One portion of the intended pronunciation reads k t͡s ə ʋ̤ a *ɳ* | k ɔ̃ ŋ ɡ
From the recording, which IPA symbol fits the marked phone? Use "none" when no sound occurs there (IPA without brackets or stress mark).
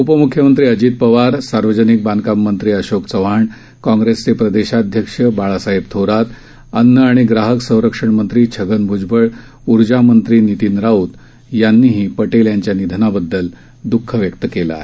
ɳ